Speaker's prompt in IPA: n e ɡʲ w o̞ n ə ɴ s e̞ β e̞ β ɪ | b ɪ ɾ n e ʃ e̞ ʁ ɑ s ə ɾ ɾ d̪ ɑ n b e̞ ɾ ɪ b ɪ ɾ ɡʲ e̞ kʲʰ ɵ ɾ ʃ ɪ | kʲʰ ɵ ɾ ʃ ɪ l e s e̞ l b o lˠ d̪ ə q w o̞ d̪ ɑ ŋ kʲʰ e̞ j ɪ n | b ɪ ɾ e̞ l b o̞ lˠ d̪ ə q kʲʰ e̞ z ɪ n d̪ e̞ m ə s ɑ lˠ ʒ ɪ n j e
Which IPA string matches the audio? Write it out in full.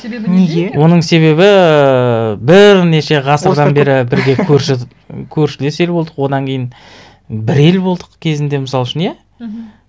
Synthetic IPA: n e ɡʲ w o̞ n ə ɴ s e̞ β e̞ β ɪ | b ɪ ɾ n e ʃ e̞ ʁ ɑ s ə ɾ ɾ d̪ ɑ n b e̞ ɾ ɪ b ɪ ɾ ɡʲ e̞ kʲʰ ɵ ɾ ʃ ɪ | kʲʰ ɵ ɾ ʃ ɪ l e s e̞ l b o lˠ d̪ ə q w o̞ d̪ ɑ ŋ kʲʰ e̞ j ɪ n | b ɪ ɾ e̞ l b o̞ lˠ d̪ ə q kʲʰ e̞ z ɪ n d̪ e̞ m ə s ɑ lˠ ʃ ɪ n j e